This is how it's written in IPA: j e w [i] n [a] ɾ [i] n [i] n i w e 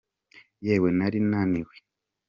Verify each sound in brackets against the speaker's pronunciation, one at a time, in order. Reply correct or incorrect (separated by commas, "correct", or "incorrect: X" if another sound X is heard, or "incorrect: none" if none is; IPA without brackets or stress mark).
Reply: incorrect: e, correct, correct, incorrect: a